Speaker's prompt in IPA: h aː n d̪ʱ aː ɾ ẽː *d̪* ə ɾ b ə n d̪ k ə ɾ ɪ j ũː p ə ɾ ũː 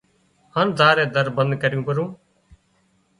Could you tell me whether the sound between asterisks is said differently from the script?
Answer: no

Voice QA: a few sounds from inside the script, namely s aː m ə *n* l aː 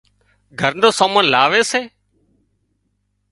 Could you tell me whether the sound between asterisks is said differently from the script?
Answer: no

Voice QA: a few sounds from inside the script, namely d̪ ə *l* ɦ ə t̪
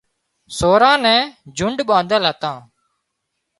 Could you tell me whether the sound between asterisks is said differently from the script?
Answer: no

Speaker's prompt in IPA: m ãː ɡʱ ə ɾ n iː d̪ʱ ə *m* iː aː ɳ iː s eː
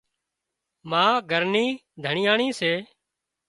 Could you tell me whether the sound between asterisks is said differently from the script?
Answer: yes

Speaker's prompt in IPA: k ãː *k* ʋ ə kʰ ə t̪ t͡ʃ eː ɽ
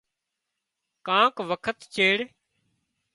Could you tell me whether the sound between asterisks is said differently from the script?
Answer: no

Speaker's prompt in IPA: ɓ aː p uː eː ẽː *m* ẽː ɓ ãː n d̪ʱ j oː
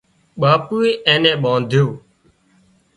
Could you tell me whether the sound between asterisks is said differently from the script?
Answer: yes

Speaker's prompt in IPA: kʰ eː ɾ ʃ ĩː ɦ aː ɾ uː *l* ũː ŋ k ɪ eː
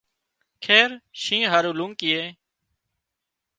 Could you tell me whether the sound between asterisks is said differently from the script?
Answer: no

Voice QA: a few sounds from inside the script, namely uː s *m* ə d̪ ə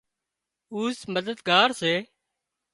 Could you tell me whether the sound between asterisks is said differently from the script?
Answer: no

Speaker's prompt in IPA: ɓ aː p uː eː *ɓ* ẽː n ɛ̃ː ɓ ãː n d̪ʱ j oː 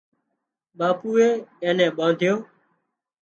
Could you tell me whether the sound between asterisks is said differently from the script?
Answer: yes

